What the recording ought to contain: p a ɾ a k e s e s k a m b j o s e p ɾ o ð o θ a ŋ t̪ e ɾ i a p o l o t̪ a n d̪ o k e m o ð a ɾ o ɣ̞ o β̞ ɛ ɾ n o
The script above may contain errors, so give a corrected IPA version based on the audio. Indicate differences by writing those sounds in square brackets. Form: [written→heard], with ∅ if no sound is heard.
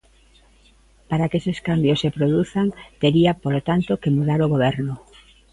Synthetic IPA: p a ɾ a k e s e s k a m b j o s e p ɾ o ð [o→u] θ a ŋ t̪ e ɾ i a p o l o t̪ a n [d̪→t̪] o k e m [o→u] ð a ɾ o ɣ̞ o β̞ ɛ ɾ n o